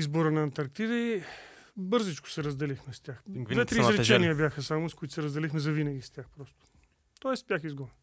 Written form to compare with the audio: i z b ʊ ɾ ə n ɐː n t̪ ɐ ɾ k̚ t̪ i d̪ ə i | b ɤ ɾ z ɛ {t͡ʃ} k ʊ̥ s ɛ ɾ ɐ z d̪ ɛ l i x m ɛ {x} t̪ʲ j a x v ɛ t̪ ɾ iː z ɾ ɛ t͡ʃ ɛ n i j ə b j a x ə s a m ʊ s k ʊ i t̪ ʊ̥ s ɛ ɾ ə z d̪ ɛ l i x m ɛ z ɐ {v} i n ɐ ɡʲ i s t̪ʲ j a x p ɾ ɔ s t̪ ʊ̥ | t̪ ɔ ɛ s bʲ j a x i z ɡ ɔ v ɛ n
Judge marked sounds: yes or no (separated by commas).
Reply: yes, no, yes